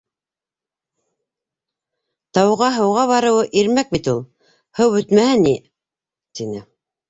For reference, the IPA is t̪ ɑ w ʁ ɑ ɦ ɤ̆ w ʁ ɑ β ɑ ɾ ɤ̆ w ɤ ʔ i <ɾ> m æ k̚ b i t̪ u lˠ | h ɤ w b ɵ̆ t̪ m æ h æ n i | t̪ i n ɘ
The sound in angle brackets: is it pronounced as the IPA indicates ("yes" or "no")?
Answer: yes